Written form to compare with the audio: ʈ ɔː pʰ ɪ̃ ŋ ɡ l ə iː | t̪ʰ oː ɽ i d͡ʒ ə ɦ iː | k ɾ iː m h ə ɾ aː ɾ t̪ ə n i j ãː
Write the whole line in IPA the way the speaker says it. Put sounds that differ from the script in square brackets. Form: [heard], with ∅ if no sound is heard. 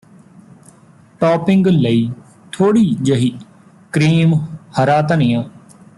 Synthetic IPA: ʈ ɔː [p] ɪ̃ ŋ ɡ l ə iː | t̪ʰ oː ɽ [iː] d͡ʒ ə ɦ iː | k ɾ iː m h ə ɾ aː [∅] t̪ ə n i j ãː

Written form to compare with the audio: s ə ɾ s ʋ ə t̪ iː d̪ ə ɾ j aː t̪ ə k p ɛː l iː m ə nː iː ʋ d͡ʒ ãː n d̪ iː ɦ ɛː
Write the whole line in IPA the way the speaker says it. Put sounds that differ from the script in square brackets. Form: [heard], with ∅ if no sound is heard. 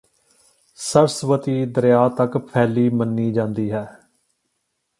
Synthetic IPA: s ə ɾ s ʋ ə t̪ iː d̪ ə ɾ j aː t̪ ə k [pʰ] ɛː l iː m ə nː iː [∅] d͡ʒ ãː n d̪ iː ɦ ɛː

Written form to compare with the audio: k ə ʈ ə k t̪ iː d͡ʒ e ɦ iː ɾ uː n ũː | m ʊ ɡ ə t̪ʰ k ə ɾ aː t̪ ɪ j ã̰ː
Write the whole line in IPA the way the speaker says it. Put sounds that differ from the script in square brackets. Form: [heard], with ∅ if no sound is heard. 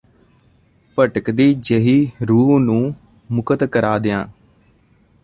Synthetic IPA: [p] ə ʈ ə k [d̪] iː d͡ʒ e ɦ iː ɾ uː n ũː | m ʊ [k] ə [t̪] k ə ɾ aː [d̪] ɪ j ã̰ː

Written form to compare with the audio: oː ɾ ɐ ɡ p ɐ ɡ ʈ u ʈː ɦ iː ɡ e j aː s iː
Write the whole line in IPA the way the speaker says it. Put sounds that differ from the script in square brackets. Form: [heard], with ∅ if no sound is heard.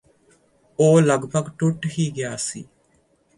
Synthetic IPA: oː [l] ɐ ɡ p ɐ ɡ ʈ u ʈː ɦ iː ɡ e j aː s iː

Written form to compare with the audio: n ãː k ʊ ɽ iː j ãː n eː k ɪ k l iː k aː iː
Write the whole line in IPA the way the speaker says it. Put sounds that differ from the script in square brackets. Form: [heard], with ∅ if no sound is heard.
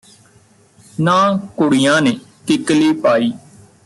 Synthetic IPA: n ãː k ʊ ɽ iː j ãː n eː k ɪ k l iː [p] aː iː

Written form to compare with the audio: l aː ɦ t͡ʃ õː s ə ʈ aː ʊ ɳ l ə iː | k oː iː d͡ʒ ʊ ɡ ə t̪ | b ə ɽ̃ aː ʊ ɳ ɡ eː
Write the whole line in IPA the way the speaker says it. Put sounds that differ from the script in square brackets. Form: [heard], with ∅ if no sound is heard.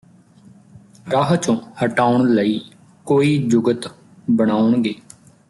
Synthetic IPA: [ɾ] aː ɦ t͡ʃ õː [h] ə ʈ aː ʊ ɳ l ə iː | k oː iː d͡ʒ ʊ ɡ ə t̪ | b ə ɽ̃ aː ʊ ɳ ɡ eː

